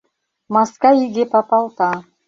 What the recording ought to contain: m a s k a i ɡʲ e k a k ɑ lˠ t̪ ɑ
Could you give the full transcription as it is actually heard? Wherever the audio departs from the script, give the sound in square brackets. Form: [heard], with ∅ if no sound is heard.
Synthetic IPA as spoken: m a s k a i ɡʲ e [p] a [p] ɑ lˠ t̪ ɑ